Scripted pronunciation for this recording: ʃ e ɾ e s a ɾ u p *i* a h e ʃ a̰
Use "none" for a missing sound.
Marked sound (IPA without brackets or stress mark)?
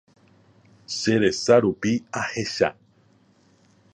i